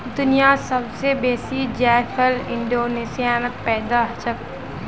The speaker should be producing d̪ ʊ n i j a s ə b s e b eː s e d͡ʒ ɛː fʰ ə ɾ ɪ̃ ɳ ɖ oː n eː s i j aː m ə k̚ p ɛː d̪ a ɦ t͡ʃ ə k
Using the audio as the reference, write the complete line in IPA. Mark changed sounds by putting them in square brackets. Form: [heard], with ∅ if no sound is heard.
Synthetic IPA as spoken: d̪ ʊ n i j a s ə b s e b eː s [i] d͡ʒ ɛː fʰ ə [l] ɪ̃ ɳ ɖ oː n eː s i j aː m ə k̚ p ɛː d̪ a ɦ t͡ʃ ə k